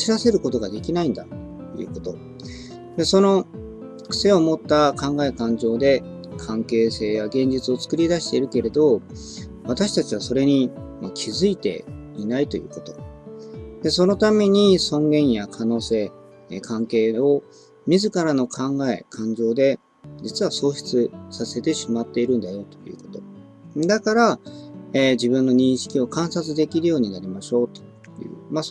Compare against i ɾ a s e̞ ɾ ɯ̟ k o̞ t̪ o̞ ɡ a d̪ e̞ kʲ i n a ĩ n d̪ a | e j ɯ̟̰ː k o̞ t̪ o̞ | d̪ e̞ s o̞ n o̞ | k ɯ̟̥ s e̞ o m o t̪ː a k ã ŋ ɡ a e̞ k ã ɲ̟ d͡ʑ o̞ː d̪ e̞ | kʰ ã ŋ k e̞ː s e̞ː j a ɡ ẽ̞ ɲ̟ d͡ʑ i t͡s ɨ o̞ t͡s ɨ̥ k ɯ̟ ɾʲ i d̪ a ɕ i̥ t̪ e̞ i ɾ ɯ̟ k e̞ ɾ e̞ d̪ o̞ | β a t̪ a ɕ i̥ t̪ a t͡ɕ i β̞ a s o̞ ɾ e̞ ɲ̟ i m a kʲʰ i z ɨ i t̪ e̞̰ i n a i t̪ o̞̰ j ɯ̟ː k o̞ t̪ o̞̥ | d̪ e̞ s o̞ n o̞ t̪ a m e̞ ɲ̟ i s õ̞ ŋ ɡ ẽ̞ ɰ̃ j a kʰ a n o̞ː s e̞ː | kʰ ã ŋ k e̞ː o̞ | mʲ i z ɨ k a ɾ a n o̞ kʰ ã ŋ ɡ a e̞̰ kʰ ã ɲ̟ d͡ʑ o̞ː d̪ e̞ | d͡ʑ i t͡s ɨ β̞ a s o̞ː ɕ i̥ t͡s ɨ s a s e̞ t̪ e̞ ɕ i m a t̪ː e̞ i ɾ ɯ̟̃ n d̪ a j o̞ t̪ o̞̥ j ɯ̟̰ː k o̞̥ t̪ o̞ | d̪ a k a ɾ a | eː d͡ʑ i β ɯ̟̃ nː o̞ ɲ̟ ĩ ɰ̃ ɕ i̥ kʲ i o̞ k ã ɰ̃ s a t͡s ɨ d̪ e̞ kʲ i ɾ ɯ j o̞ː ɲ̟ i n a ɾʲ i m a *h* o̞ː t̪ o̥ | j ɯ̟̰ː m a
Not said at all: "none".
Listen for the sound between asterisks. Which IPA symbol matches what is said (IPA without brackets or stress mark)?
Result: ɕ